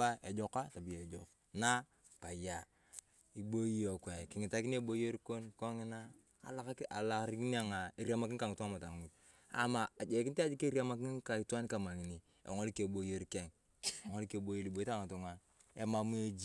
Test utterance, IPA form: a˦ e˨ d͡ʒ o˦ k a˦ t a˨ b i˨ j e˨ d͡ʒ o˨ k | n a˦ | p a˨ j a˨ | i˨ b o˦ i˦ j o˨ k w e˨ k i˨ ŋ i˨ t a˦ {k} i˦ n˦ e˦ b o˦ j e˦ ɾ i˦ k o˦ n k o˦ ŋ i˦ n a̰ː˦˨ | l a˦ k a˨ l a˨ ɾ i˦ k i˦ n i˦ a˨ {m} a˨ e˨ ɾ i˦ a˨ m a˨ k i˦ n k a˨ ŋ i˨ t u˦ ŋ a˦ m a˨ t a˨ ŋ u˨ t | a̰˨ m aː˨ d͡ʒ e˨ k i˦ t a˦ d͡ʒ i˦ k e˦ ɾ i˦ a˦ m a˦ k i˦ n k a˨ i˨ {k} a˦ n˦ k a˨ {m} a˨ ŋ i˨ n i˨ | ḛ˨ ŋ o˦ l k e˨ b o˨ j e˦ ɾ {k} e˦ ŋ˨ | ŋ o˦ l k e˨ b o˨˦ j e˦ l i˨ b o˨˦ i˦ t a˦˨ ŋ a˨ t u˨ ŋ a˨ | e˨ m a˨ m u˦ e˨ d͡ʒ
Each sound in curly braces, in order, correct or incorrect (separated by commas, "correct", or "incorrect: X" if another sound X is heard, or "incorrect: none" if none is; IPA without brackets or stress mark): correct, incorrect: ŋ, incorrect: t, correct, correct